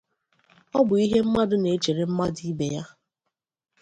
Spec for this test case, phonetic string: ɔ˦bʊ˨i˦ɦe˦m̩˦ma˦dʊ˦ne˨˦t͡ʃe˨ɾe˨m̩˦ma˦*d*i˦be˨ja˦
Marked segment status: correct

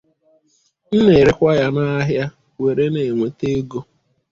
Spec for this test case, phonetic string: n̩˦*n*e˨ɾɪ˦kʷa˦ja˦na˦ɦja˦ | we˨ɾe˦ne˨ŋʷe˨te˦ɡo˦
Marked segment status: correct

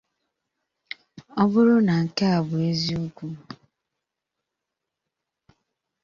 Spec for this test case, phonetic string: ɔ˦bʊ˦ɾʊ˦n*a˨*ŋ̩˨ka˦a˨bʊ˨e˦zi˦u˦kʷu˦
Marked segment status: correct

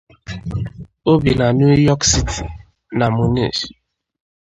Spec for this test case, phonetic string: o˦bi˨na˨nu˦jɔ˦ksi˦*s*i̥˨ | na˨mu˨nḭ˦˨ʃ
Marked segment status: incorrect: t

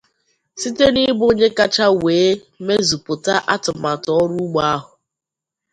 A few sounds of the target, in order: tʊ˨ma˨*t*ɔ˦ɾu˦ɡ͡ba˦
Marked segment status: correct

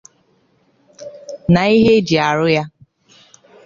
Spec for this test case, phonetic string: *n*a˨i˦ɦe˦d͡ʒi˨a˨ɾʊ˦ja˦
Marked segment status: correct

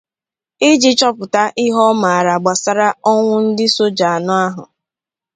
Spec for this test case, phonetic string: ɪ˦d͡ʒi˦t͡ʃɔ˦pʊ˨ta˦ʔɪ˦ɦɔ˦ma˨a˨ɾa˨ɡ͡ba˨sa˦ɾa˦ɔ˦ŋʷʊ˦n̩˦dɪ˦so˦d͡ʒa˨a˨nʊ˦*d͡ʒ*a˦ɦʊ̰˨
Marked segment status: incorrect: none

